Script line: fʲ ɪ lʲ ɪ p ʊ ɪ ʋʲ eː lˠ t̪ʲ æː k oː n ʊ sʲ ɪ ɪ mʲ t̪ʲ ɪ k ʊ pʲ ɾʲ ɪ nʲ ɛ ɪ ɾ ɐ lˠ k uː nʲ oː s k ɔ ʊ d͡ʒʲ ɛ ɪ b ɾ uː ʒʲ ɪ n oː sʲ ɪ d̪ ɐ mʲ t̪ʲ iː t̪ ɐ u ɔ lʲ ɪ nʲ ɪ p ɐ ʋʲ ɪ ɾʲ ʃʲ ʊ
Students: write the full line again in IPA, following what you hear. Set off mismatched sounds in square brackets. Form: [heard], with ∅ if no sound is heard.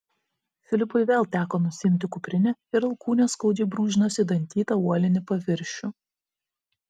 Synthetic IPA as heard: fʲ ɪ lʲ ɪ p ʊ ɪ ʋʲ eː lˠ t̪ʲ æː k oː n ʊ sʲ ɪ ɪ mʲ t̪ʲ ɪ k ʊ pʲ ɾʲ ɪ nʲ ɛ ɪ ɾ ɐ lˠ k uː nʲ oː s k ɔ ʊ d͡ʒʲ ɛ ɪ b ɾ uː ʒʲ ɪ n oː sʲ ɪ d̪ ɐ [nʲ] t̪ʲ iː t̪ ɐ u ɔ lʲ ɪ nʲ ɪ p ɐ ʋʲ ɪ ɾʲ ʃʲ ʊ